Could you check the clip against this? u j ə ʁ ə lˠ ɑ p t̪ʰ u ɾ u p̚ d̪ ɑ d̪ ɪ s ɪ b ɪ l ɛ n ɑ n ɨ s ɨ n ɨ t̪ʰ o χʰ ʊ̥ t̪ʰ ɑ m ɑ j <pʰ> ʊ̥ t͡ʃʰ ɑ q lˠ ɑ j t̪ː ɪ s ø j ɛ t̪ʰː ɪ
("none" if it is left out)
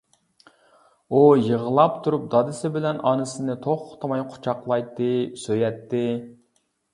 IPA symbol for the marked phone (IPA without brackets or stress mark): qʰ